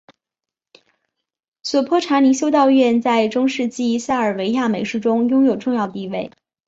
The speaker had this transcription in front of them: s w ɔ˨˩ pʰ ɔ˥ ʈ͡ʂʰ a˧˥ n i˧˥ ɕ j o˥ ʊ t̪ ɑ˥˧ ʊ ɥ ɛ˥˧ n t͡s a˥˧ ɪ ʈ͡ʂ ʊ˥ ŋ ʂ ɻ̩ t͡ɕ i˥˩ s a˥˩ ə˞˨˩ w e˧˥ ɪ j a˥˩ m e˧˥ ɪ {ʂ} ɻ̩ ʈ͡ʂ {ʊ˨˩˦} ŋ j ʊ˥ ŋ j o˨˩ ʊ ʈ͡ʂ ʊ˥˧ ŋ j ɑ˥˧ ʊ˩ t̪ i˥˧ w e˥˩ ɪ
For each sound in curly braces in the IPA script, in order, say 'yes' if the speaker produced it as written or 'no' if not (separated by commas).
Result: yes, no